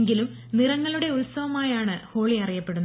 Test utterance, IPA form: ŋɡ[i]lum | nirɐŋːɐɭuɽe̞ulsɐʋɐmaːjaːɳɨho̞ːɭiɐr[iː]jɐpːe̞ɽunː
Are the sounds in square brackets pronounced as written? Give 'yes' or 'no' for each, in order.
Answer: yes, no

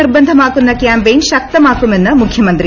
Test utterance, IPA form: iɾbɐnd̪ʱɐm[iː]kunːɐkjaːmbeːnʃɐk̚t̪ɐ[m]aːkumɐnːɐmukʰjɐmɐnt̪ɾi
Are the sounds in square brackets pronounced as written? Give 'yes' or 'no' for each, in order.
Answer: no, yes

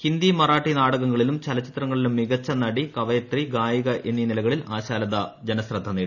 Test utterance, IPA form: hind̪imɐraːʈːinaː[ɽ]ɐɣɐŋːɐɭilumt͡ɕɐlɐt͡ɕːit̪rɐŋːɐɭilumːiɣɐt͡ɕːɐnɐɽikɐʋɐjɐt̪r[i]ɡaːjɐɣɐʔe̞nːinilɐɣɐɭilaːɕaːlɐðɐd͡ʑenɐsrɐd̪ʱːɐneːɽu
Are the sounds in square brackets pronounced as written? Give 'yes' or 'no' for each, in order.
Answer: yes, yes

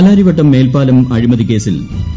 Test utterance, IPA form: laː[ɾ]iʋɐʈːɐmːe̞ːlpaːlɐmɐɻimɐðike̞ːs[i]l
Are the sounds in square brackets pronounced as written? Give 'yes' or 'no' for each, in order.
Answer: yes, yes

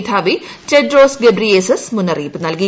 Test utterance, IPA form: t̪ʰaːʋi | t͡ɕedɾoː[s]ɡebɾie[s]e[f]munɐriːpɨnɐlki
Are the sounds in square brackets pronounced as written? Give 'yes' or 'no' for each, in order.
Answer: yes, yes, no

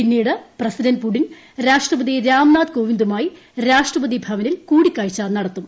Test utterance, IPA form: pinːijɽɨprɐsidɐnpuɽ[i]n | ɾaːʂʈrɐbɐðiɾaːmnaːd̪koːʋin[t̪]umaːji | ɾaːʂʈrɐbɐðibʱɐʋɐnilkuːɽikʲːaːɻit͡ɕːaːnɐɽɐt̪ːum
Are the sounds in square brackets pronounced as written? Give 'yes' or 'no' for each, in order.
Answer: yes, no

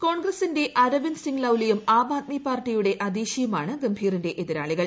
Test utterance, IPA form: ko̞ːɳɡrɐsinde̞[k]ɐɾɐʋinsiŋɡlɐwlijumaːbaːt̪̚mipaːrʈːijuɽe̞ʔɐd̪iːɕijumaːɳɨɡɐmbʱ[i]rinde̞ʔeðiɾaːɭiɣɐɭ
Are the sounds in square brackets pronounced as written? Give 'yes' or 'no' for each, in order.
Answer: no, no

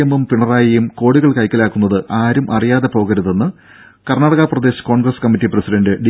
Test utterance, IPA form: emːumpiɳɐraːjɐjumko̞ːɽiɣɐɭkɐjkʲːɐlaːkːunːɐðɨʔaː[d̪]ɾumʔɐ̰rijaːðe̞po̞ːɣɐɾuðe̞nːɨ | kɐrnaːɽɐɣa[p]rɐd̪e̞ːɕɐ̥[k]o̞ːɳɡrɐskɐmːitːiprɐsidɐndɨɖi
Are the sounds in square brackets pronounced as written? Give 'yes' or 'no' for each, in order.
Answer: no, yes, yes

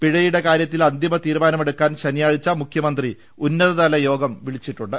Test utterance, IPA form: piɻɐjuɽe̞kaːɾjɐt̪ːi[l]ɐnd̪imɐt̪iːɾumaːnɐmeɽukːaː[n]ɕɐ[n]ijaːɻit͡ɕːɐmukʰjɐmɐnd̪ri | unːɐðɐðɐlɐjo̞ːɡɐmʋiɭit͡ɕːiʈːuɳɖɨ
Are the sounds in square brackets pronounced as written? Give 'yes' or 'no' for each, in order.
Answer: yes, yes, yes

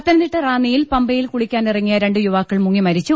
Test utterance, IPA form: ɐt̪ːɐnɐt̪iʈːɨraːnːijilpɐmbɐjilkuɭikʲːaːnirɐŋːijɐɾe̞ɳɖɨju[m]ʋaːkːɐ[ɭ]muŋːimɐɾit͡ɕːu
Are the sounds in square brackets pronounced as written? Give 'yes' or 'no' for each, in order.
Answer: no, yes

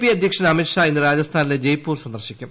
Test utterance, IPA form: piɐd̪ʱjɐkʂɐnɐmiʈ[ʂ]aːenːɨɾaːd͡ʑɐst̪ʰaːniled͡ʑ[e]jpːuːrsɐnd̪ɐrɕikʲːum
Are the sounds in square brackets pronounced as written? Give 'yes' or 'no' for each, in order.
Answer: yes, yes

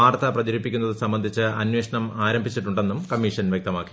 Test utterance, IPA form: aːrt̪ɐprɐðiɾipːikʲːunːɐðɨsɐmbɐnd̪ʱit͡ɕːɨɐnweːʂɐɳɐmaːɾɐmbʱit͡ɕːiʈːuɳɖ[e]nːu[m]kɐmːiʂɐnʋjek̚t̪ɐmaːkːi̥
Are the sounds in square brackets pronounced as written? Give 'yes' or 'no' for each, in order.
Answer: yes, yes

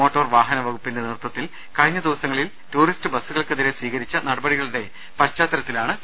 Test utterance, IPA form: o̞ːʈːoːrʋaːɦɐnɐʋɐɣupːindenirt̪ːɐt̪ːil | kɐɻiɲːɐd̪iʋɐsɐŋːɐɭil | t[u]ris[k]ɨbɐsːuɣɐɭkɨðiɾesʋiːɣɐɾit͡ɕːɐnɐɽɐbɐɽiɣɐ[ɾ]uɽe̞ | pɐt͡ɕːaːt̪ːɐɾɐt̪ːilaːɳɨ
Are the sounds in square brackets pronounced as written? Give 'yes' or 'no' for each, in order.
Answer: no, no, no

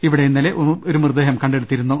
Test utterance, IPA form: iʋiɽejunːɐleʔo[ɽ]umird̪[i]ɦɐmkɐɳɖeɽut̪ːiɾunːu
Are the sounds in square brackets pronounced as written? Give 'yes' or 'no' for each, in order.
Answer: no, no

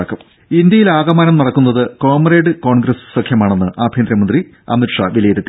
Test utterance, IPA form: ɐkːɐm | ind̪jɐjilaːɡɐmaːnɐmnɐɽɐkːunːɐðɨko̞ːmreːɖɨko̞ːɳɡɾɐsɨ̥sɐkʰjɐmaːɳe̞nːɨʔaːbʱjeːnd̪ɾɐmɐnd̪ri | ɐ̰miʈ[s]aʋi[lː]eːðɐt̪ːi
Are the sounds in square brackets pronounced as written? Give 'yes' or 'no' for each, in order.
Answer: no, no

